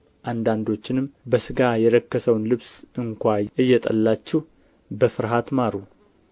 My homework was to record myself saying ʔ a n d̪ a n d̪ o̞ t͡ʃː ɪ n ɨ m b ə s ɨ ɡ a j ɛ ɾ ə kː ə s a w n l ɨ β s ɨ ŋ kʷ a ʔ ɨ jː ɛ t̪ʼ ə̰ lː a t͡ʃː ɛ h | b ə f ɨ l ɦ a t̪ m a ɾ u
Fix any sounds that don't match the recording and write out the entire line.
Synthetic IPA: ʔ a n d̪ a n d̪ o̞ t͡ʃː ɪ n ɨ m b ə s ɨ ɡ a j ɛ ɾ ə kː ə s ə w n l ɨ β s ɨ ŋ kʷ a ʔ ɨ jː ɛ t̪ʼ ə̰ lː a t͡ʃː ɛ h | b ə f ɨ ɾ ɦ a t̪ m a ɾ u